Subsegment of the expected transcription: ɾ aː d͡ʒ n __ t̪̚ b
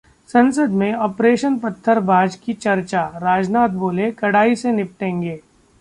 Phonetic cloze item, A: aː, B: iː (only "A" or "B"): A